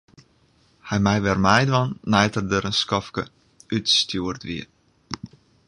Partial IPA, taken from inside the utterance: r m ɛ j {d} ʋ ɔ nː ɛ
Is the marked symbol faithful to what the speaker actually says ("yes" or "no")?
yes